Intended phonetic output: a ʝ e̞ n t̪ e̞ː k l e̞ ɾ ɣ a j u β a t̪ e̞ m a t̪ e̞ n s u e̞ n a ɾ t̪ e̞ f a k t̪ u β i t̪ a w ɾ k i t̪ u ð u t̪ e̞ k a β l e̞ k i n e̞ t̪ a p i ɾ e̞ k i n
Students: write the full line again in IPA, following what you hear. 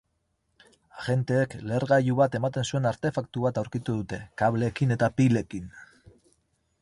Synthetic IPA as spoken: a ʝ e̞ n t̪ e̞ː k l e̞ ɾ ɣ a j u β a t̪ e̞ m a t̪ e̞ n s u e̞ n a ɾ t̪ e̞ f a k t̪ u β a t̪ a w ɾ k i t̪ u ð u t̪ e̞ k a β l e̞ k i n e̞ t̪ a p i l e̞ k i n